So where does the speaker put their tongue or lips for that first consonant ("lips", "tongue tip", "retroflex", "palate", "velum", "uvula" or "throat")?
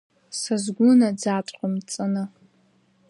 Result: tongue tip